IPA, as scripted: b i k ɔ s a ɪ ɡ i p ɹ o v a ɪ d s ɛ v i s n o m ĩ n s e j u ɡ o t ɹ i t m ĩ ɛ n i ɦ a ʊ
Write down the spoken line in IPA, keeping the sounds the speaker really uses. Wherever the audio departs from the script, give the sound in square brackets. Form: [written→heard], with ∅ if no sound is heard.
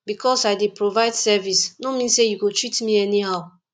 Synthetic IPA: b i k ɔ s a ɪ [ɡ→d] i p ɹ o v a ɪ d s ɛ v i s n o m ĩ n s e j u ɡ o t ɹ i t m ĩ ɛ n i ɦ a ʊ